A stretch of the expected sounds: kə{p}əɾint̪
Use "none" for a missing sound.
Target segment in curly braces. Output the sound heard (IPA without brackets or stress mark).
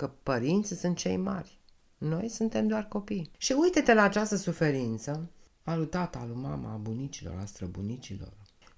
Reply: p